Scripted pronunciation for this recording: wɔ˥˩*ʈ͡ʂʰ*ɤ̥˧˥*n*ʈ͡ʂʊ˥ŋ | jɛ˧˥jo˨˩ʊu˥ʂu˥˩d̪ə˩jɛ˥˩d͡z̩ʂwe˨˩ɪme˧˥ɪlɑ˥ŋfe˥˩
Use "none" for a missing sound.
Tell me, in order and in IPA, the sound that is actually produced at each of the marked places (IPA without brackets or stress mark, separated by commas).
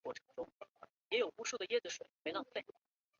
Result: ʈ͡ʂʰ, ŋ